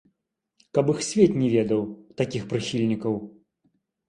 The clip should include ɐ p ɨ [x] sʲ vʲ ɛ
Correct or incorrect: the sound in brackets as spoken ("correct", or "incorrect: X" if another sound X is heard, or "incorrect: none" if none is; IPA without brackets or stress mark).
correct